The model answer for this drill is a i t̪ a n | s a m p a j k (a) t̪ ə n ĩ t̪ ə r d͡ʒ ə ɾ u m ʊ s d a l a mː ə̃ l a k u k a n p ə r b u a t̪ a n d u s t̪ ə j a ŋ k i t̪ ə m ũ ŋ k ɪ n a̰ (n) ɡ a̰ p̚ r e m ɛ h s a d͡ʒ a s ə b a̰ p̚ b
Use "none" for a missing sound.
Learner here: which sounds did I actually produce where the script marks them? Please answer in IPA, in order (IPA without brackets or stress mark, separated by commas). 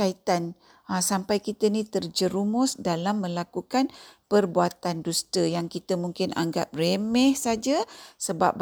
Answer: i, ŋ